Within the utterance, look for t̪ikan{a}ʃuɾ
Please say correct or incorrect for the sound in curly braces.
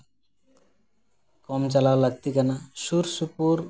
correct